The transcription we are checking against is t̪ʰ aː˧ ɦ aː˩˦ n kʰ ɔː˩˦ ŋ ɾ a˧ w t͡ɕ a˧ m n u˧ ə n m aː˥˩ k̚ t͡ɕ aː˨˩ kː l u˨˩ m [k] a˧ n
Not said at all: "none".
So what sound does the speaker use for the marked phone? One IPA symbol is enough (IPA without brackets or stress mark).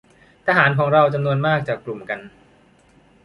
k